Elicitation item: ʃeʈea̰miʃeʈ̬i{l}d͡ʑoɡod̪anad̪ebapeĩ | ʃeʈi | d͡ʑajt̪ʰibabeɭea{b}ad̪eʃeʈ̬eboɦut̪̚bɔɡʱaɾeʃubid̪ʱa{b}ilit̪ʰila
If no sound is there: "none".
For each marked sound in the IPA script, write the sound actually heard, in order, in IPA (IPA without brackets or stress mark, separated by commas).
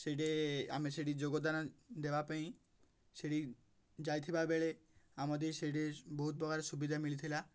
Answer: none, m, m